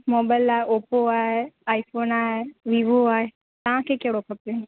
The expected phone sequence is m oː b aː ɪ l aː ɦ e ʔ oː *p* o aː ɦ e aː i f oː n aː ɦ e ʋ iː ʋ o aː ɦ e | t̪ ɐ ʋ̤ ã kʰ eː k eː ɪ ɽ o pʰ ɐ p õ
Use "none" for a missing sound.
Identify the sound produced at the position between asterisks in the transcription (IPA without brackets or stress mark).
p